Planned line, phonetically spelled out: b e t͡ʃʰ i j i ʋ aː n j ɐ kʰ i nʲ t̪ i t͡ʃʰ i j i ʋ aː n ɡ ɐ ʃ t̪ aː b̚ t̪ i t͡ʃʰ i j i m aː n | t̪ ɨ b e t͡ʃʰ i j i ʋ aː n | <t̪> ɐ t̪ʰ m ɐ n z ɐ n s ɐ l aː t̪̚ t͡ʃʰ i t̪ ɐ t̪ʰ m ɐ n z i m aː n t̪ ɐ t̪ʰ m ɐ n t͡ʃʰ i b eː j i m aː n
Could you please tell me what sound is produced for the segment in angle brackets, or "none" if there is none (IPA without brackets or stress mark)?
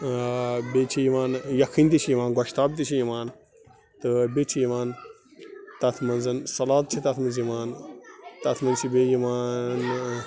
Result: t̪